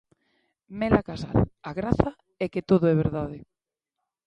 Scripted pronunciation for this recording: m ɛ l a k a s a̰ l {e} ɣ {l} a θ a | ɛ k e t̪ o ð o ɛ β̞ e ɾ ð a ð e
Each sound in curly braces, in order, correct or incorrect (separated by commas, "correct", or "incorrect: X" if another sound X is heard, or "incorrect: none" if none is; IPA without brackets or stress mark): incorrect: a, incorrect: ɾ